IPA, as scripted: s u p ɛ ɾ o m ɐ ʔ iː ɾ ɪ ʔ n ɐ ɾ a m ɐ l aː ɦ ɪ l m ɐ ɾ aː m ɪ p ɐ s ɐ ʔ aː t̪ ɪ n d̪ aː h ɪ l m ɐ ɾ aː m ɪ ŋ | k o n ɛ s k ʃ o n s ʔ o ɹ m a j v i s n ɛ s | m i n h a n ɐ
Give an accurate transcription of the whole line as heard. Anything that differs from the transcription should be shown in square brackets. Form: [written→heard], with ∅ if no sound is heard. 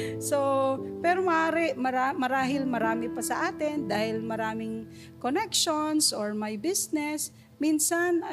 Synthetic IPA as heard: s [u→o] p ɛ ɾ o m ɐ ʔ [iː→aː] ɾ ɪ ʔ [n→m] ɐ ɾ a m ɐ [l→ɾ] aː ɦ ɪ l m ɐ ɾ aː m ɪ p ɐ s ɐ ʔ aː t̪ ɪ n d̪ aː h ɪ l m ɐ ɾ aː m ɪ ŋ | k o n ɛ [s→∅] k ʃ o n s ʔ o ɹ m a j [v→b] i s n ɛ s | m i n [h→s] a n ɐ